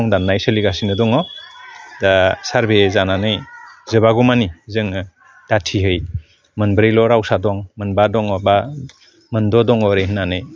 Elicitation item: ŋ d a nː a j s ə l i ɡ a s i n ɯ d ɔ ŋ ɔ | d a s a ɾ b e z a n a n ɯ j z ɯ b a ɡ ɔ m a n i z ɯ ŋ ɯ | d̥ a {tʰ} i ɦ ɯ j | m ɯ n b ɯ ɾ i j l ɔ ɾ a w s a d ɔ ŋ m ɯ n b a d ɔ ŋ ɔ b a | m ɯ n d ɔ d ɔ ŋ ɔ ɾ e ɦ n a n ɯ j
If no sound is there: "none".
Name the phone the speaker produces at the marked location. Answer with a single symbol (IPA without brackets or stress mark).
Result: tʰ